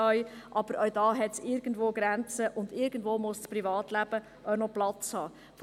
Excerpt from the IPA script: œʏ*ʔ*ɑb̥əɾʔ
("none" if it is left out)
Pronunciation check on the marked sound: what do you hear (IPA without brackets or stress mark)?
ʔ